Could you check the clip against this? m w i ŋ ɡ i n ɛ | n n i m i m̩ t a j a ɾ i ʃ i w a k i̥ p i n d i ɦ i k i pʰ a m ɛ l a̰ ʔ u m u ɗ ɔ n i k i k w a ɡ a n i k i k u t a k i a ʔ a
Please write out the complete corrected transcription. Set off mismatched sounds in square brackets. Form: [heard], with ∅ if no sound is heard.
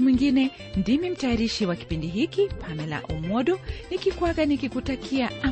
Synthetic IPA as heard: m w i ŋ ɡ i n ɛ | n [d] i m i m̩ t a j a ɾ i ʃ i w a k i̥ p i n d i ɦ i k i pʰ a m ɛ l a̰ ʔ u m [ɔ] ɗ ɔ n i k i k w a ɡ a n i k i k u t a k i a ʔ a